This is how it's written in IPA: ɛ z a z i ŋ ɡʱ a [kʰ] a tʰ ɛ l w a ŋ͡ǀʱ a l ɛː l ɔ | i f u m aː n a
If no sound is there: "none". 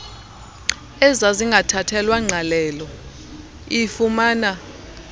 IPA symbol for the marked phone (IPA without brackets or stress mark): tʰ